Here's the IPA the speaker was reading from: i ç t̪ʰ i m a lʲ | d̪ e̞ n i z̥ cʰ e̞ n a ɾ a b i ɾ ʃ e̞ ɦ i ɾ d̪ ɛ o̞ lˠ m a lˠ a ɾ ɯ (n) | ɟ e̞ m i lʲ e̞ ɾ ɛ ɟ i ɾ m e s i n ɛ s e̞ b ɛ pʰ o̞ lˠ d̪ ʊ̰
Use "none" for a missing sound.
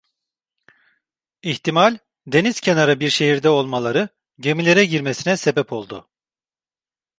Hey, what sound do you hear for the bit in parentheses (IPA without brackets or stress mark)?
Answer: none